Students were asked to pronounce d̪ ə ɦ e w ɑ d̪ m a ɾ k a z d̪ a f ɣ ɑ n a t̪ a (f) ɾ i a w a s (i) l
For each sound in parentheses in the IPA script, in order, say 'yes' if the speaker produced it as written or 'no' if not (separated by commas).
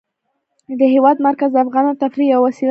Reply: yes, yes